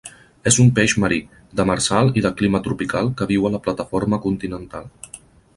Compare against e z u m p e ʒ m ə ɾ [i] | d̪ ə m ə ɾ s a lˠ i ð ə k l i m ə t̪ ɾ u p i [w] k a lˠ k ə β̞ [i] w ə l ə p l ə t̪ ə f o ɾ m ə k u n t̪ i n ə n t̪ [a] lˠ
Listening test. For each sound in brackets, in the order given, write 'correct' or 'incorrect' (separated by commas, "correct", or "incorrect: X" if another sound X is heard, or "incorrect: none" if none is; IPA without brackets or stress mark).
correct, incorrect: none, correct, correct